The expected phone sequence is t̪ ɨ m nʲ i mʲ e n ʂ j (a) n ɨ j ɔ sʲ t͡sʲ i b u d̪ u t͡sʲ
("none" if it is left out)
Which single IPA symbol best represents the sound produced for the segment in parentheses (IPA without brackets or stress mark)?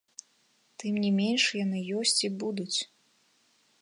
a